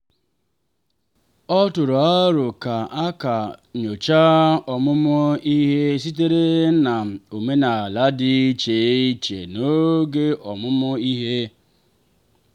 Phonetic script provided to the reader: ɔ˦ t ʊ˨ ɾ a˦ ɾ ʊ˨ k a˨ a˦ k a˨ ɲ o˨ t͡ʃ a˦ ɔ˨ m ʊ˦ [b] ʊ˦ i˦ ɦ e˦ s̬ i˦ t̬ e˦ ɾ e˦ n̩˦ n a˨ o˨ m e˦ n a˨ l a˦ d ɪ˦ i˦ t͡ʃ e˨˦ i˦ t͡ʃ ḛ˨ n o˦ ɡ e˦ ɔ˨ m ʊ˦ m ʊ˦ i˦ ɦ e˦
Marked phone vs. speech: incorrect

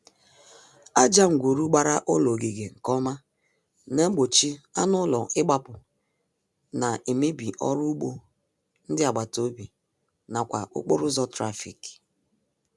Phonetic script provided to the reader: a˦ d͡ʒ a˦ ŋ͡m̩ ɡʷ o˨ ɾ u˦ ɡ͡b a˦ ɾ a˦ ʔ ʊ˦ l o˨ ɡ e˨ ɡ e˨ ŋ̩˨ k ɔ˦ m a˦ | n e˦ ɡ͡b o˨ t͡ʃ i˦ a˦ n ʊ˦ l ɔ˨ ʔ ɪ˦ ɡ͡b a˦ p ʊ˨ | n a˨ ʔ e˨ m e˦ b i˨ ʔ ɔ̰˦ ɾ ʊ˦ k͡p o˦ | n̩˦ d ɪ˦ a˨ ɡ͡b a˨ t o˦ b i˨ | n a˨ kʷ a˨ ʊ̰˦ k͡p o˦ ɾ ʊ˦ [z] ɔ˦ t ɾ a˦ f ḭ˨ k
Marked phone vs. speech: correct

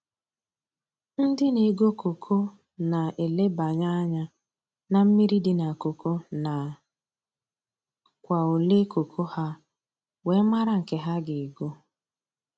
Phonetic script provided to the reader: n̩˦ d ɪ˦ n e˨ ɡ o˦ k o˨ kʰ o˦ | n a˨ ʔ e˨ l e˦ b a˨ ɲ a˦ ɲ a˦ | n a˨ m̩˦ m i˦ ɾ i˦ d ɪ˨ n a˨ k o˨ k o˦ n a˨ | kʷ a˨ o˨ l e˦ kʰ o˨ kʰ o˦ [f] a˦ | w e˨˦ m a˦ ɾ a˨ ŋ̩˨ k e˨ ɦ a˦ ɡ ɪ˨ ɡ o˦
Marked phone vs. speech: incorrect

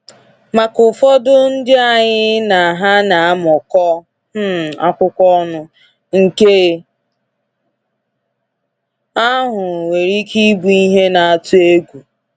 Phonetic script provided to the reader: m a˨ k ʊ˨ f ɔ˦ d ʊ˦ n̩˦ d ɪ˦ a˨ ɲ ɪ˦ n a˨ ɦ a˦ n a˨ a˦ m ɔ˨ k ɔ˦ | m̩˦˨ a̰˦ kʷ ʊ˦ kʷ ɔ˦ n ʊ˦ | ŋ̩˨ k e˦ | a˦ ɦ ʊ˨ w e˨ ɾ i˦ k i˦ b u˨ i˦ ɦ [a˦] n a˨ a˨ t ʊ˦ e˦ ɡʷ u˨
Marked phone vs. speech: incorrect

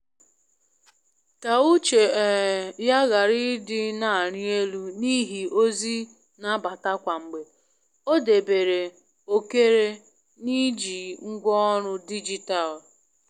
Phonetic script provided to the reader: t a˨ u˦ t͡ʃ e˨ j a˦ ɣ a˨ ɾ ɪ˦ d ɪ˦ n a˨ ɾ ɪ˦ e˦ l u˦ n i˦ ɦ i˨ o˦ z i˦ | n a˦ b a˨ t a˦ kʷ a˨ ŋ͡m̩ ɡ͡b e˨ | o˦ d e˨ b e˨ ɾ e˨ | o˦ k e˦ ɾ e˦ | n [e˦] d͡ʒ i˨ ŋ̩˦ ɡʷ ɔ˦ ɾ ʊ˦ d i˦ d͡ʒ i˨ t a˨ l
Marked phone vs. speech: incorrect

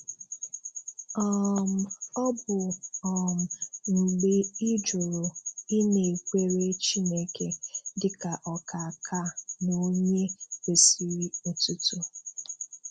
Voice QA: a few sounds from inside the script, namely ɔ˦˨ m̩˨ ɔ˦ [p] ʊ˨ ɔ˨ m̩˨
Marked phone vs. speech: incorrect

